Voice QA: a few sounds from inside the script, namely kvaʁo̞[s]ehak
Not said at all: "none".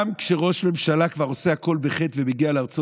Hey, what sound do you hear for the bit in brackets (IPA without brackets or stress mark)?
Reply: s